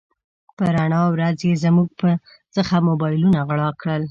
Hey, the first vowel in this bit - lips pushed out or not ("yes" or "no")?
no